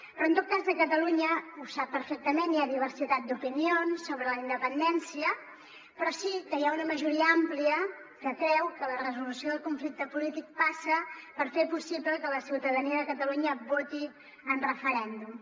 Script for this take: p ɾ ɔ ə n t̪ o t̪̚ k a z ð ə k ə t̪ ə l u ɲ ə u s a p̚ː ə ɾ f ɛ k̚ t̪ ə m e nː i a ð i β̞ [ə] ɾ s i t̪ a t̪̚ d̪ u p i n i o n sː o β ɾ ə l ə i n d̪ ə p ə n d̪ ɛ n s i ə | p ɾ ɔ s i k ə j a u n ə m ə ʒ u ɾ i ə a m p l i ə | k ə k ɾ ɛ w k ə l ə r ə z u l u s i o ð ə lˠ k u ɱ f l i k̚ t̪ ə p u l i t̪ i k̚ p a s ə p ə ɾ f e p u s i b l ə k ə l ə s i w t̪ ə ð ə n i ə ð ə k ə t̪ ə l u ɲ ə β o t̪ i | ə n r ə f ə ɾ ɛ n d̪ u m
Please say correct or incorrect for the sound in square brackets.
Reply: correct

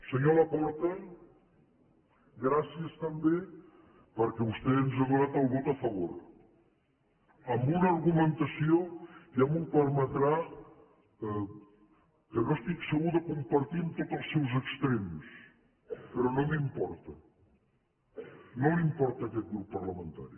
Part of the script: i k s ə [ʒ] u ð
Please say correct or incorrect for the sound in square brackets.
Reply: incorrect: ɣ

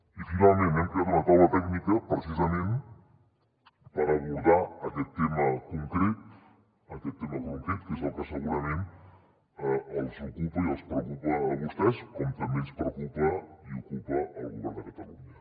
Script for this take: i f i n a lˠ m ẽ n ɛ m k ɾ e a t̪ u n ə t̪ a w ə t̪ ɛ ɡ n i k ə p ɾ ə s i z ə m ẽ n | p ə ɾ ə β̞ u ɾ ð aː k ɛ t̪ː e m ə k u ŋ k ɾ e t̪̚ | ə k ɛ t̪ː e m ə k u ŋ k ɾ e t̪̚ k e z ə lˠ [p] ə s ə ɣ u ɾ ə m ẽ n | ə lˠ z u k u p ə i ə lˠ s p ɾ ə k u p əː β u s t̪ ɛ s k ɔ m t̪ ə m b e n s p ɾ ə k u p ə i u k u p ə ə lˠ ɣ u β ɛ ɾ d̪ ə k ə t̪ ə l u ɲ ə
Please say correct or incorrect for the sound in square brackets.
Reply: incorrect: k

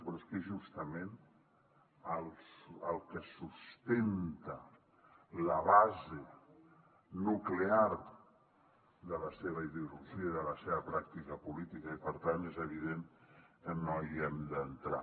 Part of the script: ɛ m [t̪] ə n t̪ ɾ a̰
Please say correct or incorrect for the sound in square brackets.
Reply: incorrect: d̪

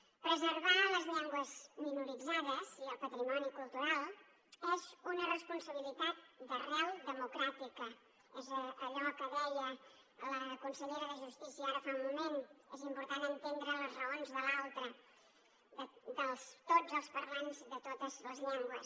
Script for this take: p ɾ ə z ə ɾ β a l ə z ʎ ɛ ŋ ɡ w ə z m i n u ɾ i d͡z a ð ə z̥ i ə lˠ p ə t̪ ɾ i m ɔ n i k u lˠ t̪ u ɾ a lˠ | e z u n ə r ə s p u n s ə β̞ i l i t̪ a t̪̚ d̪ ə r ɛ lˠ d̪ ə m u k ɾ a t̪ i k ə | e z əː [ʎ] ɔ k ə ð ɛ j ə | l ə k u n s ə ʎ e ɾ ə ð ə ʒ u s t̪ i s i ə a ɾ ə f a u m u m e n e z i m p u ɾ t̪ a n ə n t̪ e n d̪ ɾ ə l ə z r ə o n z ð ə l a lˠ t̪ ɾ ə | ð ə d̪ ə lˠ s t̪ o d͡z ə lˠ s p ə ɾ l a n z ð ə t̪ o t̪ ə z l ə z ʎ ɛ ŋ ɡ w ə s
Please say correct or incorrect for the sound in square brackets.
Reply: correct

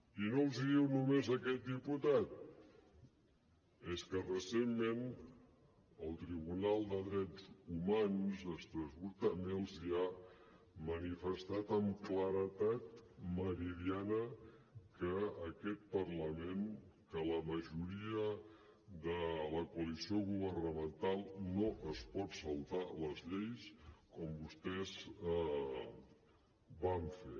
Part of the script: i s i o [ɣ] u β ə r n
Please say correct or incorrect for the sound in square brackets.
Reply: correct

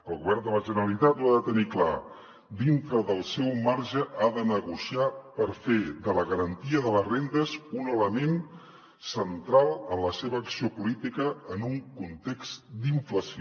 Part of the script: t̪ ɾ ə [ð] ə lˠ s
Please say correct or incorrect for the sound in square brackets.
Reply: correct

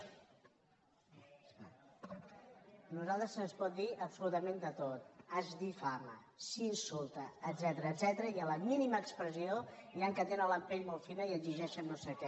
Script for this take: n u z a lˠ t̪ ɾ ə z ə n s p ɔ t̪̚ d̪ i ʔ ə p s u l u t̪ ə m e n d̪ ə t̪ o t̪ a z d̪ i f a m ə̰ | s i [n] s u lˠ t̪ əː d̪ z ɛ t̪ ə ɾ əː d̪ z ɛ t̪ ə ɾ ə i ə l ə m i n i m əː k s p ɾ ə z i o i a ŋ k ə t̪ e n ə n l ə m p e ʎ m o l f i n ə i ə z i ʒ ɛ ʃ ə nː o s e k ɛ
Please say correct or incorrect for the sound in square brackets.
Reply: correct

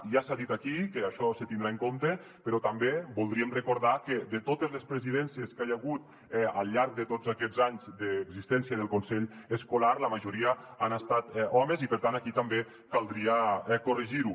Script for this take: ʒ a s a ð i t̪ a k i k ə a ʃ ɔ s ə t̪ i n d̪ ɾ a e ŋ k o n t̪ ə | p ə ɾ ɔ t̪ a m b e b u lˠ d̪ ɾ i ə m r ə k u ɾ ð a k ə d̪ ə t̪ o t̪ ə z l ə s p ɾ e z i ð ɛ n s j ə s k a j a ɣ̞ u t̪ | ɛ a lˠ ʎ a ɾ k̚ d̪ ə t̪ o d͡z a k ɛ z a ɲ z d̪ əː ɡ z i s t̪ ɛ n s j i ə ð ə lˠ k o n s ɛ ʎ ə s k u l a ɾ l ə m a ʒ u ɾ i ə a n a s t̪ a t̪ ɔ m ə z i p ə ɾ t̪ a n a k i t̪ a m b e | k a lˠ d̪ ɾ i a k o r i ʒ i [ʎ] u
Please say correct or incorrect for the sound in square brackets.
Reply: incorrect: ɾ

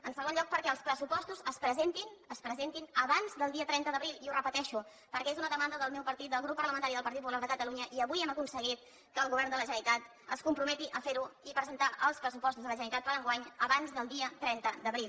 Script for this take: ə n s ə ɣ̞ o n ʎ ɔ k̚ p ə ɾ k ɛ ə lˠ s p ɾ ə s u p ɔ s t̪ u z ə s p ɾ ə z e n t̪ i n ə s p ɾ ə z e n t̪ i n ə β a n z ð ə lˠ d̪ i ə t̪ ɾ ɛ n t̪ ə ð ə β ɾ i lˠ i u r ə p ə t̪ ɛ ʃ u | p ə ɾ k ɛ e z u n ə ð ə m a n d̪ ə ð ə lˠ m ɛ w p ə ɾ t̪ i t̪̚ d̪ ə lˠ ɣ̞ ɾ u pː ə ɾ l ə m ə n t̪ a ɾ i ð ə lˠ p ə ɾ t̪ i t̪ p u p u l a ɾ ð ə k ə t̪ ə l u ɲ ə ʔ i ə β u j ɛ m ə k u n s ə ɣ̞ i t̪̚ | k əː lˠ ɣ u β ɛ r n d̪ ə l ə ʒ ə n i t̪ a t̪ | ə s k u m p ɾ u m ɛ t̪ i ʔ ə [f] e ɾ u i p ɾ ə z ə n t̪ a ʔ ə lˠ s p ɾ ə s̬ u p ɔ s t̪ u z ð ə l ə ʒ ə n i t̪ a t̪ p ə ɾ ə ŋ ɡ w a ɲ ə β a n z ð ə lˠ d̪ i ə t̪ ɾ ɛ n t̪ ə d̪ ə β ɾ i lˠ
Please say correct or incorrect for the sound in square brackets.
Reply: correct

